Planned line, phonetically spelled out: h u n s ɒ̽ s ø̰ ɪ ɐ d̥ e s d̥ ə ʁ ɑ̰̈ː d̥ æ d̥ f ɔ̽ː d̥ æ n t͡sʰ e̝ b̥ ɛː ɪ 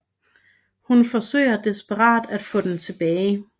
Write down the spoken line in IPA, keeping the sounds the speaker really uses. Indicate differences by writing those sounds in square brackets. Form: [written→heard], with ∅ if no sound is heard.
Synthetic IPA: h u n [s→f] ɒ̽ s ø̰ ɪ ɐ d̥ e s [d̥→b̥] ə ʁ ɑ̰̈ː d̥ æ d̥ f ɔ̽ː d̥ [æ→e] n t͡sʰ e̝ b̥ ɛː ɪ